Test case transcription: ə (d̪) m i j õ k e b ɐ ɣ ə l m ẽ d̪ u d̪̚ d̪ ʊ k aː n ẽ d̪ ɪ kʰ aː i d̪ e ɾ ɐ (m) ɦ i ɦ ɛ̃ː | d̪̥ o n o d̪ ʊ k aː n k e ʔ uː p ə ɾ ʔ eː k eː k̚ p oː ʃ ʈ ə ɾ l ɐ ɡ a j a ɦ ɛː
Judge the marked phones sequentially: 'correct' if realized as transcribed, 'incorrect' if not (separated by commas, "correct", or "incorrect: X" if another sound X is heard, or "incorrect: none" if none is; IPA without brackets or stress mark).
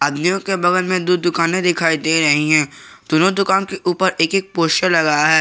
correct, incorrect: none